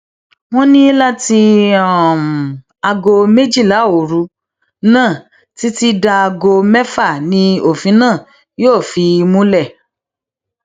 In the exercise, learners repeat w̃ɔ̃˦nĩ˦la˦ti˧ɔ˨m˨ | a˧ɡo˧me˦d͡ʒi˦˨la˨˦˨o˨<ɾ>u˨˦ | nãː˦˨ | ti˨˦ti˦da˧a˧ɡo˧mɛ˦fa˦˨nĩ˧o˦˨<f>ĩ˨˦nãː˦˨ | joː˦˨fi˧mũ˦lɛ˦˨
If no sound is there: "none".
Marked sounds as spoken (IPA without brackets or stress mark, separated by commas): ɾ, f